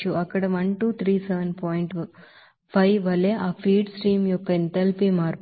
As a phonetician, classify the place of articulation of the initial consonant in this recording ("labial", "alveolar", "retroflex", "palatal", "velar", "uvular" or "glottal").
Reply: velar